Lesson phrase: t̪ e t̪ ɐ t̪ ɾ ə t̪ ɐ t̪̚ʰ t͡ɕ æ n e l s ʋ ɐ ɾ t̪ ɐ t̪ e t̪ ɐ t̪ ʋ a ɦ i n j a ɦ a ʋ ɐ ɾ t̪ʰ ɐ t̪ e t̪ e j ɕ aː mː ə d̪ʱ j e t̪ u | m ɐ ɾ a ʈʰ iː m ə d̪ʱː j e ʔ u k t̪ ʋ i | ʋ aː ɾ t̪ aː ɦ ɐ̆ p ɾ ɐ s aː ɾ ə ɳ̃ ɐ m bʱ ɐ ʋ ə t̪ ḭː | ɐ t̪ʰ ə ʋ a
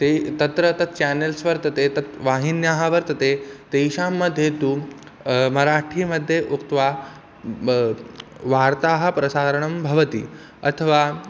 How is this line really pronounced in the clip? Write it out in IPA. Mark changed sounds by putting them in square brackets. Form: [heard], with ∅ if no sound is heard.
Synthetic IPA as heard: t̪ e t̪ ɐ t̪ ɾ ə t̪ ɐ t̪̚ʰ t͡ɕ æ n e l s ʋ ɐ ɾ t̪ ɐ t̪ e t̪ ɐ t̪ ʋ a ɦ i n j a ɦ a ʋ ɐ ɾ [t̪] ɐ t̪ e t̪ e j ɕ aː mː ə d̪ʱ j e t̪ u | m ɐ ɾ a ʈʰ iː m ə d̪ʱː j e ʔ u k t̪ ʋ [a] | ʋ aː ɾ t̪ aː ɦ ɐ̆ p ɾ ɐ s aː ɾ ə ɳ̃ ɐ m bʱ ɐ ʋ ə t̪ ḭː | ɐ t̪ʰ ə ʋ a